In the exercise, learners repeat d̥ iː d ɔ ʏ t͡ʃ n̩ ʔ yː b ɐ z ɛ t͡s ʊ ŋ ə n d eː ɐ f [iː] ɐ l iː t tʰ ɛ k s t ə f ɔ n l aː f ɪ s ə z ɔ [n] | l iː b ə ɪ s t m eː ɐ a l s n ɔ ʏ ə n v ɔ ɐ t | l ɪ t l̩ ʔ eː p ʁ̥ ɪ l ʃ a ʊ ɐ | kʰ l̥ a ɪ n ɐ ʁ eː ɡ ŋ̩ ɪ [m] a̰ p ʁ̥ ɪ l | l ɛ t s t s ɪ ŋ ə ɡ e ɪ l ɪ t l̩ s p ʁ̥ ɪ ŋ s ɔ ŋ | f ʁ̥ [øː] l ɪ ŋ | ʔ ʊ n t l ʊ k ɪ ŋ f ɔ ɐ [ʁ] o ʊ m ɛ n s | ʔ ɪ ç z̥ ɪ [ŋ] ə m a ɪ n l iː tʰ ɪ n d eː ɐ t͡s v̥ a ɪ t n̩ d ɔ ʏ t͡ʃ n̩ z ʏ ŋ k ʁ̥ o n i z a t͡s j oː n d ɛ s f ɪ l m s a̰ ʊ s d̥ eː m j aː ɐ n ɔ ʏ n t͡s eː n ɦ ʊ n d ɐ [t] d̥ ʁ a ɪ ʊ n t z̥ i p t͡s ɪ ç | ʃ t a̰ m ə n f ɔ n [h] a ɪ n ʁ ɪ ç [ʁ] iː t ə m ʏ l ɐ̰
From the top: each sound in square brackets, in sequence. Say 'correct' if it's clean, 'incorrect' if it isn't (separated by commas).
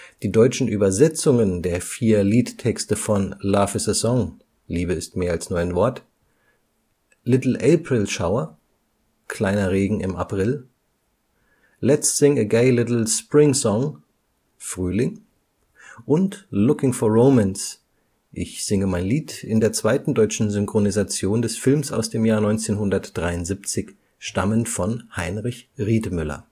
correct, incorrect, correct, incorrect, correct, correct, correct, correct, correct